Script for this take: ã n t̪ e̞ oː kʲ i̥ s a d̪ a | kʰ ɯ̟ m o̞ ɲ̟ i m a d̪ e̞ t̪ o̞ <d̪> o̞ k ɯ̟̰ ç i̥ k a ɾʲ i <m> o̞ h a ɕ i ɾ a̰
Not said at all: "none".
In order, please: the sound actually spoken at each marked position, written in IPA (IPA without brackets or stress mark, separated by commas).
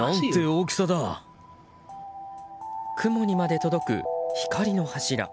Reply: d̪, n